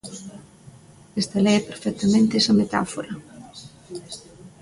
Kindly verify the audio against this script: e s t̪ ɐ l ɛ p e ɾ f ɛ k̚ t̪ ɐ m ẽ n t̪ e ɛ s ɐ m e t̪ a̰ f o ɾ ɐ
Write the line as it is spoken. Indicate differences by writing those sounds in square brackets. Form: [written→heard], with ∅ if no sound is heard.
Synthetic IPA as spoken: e s t̪ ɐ l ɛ p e ɾ f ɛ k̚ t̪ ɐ m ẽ n t̪ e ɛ s ɐ m e t̪ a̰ f o ɾ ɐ